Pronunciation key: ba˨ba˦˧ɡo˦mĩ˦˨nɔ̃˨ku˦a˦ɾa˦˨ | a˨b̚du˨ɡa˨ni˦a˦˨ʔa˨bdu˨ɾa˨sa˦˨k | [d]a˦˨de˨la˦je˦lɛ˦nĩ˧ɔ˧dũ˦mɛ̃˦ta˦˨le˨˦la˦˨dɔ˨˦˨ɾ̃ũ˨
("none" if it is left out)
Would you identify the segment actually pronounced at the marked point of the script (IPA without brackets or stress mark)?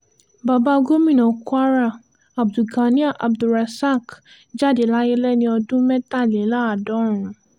d͡ʒ